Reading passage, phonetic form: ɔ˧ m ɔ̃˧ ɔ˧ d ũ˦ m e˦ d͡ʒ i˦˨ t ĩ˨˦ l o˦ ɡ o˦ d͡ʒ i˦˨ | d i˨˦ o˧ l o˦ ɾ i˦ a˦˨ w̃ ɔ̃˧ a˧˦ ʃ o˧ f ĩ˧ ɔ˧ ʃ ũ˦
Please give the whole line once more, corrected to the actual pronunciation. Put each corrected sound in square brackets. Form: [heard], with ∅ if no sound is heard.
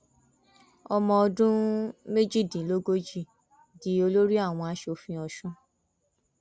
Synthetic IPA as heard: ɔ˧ m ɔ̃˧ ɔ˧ d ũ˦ m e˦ d͡ʒ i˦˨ [d] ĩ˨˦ l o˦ ɡ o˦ d͡ʒ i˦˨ | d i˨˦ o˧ l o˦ ɾ i˦ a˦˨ w̃ ɔ̃˧ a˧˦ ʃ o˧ f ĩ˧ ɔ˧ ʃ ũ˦